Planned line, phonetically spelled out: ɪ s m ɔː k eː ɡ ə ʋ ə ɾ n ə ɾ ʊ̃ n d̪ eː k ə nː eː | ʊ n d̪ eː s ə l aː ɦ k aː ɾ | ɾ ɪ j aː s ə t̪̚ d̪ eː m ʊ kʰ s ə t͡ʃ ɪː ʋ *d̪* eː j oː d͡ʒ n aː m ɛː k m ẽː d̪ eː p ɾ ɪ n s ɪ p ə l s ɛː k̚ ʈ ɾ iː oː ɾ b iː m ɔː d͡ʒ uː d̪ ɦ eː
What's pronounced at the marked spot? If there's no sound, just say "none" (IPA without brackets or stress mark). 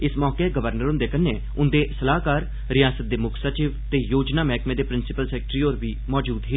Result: t̪